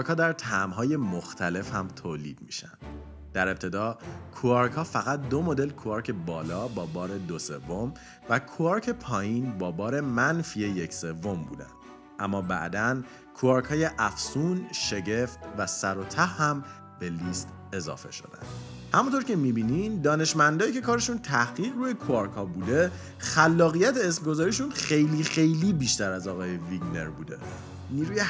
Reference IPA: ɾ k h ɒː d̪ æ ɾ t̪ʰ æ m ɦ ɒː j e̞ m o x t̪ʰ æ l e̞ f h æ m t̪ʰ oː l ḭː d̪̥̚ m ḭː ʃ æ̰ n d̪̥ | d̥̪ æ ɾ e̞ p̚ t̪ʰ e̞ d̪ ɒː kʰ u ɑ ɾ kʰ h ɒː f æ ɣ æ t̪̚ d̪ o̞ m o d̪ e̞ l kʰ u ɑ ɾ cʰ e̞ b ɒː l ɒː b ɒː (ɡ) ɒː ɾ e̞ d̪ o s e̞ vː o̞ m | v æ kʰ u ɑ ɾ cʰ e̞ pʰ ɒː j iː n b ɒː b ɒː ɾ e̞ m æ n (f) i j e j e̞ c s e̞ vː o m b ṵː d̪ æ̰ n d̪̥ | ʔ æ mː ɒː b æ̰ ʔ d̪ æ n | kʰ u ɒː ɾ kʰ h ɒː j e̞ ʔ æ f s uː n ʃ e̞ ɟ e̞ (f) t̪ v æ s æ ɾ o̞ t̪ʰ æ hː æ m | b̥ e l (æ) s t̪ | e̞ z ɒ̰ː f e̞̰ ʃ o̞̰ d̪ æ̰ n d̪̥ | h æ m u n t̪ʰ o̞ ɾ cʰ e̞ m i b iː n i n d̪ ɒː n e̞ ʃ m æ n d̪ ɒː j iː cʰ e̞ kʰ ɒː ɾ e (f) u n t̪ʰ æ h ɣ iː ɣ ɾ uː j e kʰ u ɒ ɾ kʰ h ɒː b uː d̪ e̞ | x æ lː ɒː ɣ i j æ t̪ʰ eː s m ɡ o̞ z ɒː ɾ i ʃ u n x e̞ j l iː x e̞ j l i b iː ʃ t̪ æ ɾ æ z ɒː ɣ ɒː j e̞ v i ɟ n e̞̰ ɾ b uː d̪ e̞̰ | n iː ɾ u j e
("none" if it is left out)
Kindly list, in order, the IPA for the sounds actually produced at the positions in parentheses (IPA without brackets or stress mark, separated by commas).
b, f, f, i, ʃ